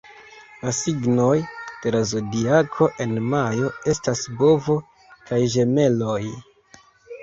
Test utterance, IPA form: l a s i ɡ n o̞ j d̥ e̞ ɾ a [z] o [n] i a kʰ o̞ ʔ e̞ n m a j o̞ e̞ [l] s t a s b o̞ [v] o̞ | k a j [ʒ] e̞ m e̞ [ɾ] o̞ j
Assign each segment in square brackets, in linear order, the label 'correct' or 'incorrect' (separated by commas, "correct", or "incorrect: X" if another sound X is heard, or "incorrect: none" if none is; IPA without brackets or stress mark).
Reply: correct, incorrect: d, incorrect: none, correct, correct, incorrect: l